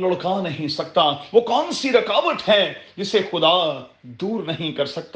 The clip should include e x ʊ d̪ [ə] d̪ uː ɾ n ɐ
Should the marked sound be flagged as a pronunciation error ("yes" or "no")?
yes